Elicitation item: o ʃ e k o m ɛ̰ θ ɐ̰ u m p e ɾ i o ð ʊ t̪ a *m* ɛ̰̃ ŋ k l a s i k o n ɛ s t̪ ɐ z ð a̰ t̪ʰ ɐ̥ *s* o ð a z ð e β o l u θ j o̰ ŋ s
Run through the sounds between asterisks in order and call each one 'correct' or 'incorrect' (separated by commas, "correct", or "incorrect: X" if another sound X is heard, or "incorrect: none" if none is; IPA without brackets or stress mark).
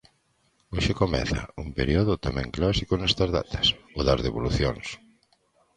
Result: correct, correct